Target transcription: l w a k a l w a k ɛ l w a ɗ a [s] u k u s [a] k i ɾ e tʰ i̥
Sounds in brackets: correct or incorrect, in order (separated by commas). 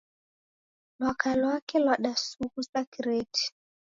correct, correct